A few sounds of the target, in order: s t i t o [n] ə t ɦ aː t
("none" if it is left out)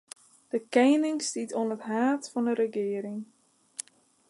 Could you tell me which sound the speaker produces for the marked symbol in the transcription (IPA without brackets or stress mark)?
n